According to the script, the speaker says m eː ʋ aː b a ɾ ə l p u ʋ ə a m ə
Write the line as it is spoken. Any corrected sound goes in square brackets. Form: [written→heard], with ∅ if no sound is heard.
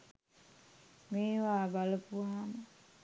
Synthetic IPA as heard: m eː ʋ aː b a [ɾ→l] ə [l→∅] p u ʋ [ə→a] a m ə